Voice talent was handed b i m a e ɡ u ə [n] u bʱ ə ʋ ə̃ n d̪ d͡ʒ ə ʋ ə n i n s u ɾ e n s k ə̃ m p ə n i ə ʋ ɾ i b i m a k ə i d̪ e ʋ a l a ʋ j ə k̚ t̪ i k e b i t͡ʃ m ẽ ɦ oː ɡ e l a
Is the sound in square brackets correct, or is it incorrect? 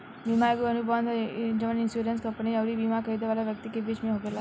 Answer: correct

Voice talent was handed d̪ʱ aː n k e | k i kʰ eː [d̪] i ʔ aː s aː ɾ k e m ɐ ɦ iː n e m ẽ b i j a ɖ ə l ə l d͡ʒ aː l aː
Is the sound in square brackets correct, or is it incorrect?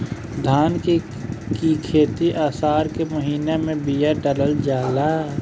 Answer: incorrect: t̪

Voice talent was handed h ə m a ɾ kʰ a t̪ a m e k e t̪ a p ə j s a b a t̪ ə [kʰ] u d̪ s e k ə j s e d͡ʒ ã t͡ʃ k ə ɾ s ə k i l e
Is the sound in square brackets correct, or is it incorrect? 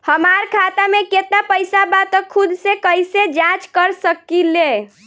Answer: correct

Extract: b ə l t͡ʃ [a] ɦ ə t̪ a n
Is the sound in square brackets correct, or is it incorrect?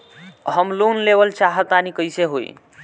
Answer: correct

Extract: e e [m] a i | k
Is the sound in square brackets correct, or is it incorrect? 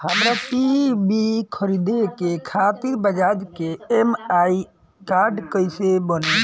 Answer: correct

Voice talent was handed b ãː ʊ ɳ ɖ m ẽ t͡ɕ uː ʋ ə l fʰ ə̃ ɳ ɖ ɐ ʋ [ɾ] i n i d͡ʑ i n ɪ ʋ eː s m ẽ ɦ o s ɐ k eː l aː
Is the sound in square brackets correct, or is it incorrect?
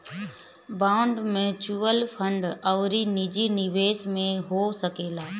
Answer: correct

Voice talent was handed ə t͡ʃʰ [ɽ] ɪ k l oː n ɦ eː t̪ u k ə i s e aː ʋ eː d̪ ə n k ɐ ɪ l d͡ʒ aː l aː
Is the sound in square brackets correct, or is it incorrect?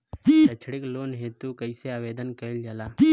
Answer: correct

